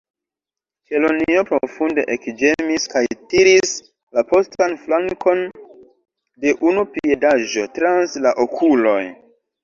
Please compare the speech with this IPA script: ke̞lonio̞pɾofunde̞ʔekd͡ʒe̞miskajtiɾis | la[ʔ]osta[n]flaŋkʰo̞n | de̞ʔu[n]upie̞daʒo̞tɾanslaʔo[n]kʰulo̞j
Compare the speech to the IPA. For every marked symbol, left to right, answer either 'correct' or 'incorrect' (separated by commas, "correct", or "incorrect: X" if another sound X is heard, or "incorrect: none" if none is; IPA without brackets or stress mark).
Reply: incorrect: p, correct, correct, incorrect: none